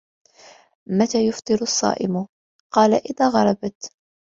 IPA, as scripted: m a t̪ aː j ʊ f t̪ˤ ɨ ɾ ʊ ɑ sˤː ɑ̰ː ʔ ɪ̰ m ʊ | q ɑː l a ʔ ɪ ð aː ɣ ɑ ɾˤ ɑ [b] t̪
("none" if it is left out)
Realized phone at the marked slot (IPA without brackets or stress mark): b